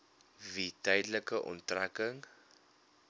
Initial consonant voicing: voiced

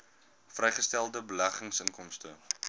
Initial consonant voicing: voiceless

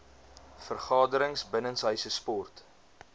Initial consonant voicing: voiceless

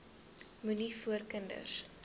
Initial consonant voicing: voiced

